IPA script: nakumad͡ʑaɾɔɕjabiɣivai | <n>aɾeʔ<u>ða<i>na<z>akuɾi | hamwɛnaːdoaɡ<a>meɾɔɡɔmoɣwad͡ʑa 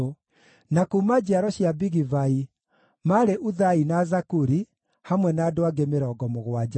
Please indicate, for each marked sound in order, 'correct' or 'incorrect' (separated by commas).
incorrect, correct, correct, correct, incorrect